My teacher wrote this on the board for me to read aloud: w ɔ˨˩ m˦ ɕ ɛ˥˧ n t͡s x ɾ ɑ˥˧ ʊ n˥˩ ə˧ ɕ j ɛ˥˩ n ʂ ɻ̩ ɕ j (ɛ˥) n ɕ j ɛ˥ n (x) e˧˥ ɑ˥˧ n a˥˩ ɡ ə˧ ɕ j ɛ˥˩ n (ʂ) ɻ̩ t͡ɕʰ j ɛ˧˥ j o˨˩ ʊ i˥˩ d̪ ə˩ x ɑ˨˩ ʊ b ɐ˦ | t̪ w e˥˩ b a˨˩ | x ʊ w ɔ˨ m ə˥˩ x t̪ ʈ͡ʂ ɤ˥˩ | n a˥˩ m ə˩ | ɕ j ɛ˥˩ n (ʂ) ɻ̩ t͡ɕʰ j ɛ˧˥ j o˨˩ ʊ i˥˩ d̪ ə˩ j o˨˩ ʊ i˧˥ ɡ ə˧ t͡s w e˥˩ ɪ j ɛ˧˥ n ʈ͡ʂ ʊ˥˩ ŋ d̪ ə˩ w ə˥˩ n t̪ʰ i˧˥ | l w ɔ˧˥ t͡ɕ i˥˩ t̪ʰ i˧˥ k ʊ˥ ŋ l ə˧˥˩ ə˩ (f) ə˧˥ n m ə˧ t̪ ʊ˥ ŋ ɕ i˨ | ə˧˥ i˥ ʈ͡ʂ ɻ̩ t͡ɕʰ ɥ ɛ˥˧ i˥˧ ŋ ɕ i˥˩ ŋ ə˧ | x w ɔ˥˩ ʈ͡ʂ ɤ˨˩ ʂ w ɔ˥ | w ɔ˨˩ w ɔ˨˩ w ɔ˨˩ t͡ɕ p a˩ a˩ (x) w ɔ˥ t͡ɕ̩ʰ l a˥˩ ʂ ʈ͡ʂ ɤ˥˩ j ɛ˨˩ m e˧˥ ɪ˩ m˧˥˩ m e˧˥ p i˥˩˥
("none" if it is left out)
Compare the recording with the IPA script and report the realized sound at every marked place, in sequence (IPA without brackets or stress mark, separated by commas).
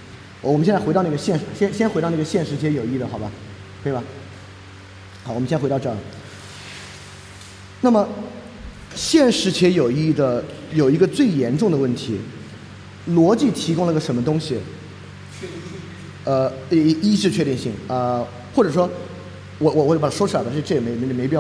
ɛ˥, x, ʂ, ʂ, ʂ, ʂ